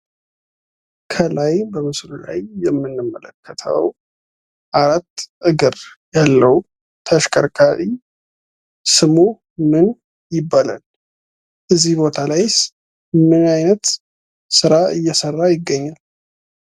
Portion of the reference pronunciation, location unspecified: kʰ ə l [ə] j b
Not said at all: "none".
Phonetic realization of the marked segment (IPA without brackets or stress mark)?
a